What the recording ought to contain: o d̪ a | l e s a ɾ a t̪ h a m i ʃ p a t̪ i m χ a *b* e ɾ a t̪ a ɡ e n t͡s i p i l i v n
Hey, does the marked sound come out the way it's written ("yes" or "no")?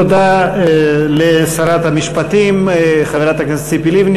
no